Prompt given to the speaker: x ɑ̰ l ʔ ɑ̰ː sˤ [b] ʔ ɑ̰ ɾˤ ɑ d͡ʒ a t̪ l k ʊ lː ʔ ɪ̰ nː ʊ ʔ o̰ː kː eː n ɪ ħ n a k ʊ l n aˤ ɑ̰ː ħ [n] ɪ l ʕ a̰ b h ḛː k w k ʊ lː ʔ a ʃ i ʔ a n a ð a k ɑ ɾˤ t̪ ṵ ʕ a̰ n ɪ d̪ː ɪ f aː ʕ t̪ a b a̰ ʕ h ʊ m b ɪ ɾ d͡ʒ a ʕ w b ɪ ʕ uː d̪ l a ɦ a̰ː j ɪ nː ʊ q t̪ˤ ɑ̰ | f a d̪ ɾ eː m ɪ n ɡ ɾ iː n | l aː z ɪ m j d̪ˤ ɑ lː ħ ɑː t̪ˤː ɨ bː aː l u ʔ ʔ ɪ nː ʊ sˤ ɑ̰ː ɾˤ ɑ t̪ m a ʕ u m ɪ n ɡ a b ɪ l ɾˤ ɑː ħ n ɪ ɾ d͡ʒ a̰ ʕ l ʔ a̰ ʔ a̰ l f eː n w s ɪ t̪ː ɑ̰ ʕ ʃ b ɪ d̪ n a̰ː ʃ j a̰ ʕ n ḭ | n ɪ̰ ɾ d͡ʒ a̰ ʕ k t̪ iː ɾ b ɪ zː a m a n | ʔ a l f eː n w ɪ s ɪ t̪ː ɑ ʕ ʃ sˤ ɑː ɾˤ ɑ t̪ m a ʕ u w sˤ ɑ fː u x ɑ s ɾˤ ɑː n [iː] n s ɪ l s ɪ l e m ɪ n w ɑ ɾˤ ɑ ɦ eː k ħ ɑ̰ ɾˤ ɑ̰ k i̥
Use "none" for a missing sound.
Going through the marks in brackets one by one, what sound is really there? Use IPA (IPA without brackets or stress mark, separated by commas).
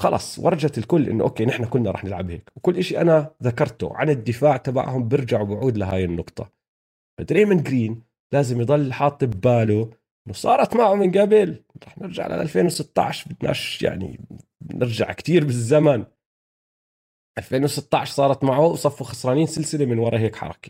w, n, iː